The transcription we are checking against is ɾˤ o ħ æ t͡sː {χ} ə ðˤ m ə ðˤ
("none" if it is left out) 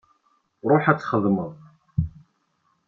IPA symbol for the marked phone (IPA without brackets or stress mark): χ